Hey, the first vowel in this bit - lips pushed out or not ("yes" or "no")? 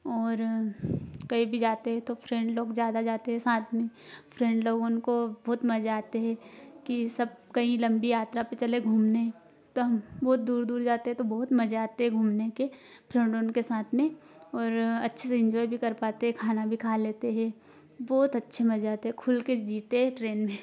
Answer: yes